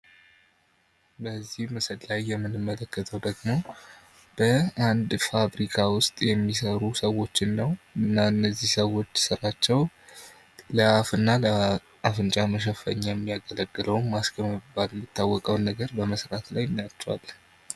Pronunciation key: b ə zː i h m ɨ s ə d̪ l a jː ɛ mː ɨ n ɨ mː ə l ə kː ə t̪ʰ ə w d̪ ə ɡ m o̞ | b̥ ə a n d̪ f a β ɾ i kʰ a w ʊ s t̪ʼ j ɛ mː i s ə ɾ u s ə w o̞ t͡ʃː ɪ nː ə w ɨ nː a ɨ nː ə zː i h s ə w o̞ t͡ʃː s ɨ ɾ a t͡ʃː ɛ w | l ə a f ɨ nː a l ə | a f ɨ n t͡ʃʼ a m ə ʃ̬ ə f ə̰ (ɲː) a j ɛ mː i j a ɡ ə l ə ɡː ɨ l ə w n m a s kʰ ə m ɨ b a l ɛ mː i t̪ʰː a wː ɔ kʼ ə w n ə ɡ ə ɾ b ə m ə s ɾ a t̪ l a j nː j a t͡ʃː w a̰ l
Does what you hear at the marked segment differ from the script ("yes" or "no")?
no